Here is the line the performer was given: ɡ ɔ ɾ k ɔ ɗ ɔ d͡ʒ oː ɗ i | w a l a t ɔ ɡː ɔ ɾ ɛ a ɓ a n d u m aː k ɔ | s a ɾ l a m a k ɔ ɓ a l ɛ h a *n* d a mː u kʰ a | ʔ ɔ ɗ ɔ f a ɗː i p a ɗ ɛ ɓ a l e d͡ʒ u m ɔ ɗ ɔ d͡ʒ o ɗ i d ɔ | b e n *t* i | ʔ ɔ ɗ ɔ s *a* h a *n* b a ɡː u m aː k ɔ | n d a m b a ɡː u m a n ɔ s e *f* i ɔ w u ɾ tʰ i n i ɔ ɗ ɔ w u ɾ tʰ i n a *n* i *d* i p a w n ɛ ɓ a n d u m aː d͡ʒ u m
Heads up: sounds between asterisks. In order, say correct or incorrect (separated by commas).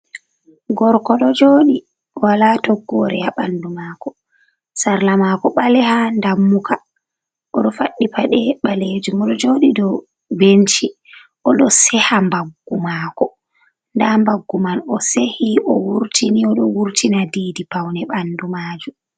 correct, incorrect, incorrect, incorrect, incorrect, incorrect, correct